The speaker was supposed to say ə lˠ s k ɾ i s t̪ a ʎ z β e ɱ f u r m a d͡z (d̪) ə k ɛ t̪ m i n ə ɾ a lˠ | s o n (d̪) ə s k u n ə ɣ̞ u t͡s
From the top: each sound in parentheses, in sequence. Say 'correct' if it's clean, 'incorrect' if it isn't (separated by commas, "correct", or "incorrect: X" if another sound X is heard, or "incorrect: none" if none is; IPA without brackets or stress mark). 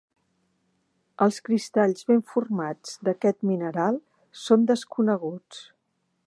correct, correct